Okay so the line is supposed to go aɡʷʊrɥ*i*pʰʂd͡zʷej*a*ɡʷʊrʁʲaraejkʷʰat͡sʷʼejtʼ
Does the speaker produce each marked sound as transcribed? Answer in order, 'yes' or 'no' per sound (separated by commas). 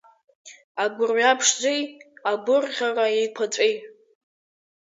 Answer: no, yes